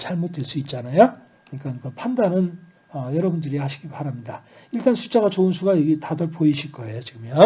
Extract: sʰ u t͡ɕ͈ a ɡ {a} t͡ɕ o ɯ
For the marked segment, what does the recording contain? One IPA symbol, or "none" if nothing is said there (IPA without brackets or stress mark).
a